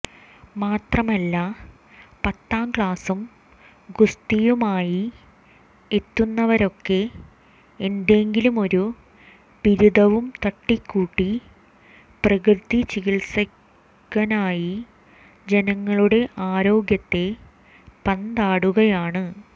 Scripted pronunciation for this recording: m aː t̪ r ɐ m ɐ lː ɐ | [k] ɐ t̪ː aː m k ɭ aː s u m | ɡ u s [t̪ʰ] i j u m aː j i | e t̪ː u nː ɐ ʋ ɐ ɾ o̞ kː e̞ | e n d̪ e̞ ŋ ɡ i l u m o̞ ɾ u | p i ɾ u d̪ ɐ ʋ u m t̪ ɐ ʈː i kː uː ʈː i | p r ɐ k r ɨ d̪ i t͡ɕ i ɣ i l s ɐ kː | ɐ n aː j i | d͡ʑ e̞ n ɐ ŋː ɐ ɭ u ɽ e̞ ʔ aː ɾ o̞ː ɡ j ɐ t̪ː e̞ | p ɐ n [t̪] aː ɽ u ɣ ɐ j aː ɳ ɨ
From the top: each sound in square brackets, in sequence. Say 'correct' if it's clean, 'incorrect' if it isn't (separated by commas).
incorrect, incorrect, incorrect